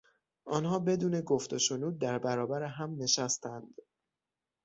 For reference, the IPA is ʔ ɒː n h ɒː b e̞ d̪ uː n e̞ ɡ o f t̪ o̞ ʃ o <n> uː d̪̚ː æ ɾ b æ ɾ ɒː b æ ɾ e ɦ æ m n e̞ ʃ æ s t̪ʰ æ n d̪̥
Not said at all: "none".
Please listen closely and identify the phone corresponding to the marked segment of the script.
n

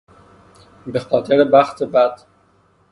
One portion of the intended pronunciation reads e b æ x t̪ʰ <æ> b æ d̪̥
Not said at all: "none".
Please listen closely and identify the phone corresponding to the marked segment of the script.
e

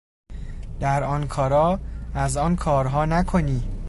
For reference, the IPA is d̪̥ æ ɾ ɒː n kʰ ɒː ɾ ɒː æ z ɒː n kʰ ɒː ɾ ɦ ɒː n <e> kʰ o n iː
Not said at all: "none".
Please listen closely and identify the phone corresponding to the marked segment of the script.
æ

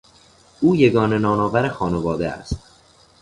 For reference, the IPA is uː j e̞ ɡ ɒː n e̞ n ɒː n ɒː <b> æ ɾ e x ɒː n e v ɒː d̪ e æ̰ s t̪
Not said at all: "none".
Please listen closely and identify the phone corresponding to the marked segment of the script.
v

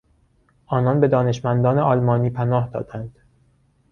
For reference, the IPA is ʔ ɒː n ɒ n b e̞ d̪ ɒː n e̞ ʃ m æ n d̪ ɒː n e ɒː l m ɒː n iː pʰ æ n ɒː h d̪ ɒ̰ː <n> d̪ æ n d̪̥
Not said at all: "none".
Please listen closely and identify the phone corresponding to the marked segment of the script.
none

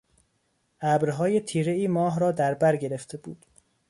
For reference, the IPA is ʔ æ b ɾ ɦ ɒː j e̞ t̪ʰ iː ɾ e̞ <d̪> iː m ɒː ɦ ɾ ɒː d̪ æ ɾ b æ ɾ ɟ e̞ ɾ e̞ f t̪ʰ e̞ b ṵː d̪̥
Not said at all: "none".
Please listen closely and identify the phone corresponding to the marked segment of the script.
none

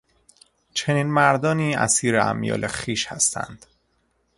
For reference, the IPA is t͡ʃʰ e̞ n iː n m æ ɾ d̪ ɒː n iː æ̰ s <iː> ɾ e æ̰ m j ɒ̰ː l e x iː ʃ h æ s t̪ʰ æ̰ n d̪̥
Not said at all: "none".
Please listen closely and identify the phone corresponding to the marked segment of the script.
iː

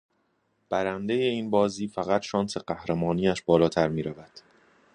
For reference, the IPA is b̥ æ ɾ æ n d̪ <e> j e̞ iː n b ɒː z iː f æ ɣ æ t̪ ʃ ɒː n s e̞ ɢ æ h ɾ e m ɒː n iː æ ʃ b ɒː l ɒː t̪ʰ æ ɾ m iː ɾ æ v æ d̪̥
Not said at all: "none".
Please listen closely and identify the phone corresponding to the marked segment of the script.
e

